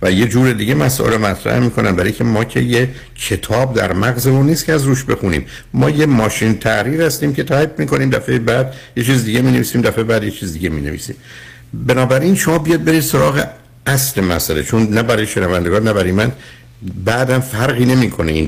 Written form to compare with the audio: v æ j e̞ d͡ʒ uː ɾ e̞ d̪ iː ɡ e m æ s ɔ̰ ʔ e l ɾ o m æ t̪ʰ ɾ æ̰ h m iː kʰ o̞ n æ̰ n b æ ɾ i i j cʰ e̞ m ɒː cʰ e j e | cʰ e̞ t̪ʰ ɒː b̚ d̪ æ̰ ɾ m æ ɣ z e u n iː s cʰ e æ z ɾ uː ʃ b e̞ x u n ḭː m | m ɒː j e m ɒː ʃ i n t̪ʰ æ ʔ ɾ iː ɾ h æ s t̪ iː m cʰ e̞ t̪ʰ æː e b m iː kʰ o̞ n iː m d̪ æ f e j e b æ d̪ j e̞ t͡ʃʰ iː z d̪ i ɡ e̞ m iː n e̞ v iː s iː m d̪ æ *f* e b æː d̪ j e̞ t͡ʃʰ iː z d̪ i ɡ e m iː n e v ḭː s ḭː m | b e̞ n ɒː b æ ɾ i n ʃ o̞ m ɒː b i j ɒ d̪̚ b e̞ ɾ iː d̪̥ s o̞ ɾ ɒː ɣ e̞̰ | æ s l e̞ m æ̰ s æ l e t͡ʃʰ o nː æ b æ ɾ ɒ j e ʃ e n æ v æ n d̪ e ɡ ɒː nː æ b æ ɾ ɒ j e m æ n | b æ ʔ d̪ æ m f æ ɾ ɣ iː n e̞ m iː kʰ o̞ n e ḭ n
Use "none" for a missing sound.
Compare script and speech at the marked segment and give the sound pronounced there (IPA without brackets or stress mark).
f